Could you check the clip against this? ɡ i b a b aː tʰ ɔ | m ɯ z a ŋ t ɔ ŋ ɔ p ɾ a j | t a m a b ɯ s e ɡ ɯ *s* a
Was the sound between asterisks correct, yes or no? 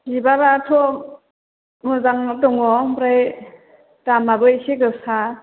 yes